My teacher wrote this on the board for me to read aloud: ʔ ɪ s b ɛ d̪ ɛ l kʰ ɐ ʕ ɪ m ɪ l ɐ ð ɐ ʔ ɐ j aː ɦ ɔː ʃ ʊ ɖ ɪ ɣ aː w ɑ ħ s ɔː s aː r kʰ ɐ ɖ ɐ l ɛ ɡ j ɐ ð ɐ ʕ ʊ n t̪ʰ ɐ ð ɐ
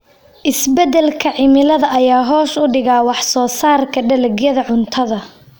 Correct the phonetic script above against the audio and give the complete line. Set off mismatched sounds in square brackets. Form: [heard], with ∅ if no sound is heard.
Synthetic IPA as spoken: ʔ ɪ s b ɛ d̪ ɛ l kʰ ɐ ʕ ɪ m ɪ l ɐ ð ɐ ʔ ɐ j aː ɦ ɔː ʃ ʊ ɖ ɪ ɣ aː w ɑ ħ s ɔː s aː r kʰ ɐ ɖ ɐ l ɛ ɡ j ɐ ð ɐ ʕ ʊ n t̪ʰ ɐ ð ɐ